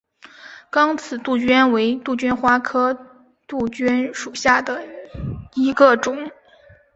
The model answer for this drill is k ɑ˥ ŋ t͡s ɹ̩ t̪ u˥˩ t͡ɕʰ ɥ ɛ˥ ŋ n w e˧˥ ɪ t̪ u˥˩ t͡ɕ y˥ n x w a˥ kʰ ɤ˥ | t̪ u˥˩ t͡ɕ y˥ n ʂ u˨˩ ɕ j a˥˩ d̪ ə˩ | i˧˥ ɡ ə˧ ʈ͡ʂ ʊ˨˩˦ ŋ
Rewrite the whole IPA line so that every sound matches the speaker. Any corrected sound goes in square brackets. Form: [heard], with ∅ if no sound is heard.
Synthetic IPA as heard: k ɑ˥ ŋ [t͡sʰ] ɹ̩ t̪ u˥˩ [t͡ɕ] ɥ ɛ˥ [∅] n w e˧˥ ɪ t̪ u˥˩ t͡ɕ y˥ n x w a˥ kʰ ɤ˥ | t̪ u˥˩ t͡ɕ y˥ n ʂ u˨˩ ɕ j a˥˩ d̪ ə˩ | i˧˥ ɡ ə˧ ʈ͡ʂ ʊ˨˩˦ ŋ